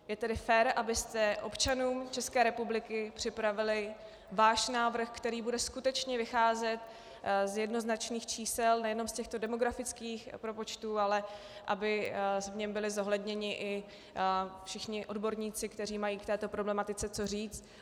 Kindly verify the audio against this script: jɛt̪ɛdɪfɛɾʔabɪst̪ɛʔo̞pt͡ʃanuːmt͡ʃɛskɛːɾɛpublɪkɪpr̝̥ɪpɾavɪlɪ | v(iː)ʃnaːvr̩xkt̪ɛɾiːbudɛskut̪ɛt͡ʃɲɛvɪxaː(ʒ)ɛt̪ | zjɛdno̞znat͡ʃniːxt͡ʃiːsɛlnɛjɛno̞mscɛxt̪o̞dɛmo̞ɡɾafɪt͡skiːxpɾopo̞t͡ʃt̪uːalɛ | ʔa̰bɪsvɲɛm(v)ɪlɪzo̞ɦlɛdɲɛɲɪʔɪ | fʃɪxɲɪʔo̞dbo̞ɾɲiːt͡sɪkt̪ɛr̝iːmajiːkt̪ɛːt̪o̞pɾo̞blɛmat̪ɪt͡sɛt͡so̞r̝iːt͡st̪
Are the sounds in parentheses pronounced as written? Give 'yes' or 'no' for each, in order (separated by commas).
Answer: no, no, no